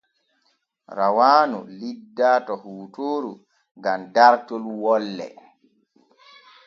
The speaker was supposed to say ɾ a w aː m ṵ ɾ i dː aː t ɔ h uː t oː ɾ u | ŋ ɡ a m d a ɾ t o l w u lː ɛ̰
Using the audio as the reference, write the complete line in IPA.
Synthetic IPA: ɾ a w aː n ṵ l i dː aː t ɔ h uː t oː ɾ u | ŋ ɡ a m d a ɾ t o l w ɔ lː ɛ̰